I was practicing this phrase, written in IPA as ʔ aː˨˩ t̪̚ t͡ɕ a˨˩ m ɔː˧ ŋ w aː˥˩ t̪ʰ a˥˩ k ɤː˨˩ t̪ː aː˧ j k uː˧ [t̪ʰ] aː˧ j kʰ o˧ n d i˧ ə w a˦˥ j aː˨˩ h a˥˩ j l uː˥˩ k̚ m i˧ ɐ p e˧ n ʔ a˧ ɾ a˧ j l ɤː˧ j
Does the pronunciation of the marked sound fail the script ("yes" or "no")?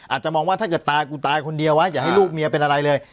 yes